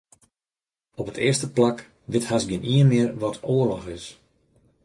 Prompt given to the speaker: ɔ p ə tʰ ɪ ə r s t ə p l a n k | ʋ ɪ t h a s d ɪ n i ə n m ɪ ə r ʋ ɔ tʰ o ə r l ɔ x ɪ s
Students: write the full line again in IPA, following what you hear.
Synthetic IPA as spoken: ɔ p ə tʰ ɪ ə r s t ə p l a k | ʋ ɪ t h a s ɡ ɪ n i ə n m ɪ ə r ʋ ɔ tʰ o ə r l ɔ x ɪ s